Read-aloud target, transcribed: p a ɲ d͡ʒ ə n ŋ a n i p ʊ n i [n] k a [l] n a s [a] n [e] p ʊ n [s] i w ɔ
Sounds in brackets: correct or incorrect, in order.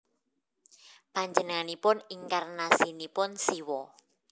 incorrect, incorrect, incorrect, incorrect, correct

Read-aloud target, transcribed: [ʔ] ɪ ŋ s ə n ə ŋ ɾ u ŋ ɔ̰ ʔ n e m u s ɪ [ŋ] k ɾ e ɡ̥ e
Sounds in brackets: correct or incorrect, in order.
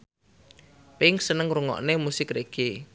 incorrect, incorrect

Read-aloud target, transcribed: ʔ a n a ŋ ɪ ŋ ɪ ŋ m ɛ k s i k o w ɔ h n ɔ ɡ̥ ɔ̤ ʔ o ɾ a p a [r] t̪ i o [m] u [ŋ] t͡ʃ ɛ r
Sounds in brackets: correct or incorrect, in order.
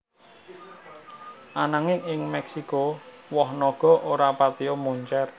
incorrect, correct, incorrect

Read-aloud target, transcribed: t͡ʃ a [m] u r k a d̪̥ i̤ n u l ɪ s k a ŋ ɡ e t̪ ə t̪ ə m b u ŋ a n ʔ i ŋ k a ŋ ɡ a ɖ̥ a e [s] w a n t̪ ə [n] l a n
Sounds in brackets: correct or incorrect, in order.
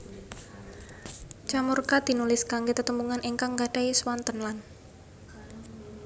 correct, correct, correct

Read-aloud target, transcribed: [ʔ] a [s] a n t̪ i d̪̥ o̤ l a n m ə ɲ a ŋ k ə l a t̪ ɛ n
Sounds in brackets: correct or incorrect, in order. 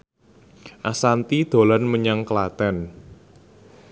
correct, correct

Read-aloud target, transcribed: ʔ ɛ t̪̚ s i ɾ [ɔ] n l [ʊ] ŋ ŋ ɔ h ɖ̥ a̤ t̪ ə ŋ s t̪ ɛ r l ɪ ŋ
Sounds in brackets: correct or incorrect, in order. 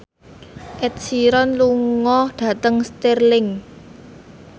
correct, incorrect

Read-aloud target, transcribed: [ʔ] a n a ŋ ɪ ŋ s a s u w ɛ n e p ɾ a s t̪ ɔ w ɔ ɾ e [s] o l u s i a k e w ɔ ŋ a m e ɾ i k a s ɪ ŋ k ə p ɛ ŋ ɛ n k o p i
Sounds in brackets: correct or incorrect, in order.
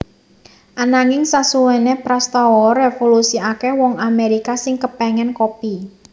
correct, incorrect

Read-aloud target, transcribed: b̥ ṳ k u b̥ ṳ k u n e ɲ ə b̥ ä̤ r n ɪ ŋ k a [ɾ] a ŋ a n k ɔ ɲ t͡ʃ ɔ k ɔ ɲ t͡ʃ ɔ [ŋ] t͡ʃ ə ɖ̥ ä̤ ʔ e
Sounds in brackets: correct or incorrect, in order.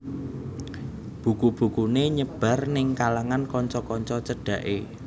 incorrect, incorrect

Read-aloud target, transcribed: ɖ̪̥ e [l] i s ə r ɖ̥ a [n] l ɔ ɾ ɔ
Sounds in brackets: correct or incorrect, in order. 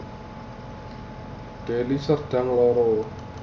correct, incorrect

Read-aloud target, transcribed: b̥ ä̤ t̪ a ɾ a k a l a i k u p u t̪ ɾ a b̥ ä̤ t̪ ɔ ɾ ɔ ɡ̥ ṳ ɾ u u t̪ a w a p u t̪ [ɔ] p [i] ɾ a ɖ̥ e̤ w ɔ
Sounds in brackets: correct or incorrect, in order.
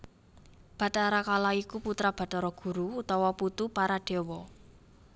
incorrect, incorrect

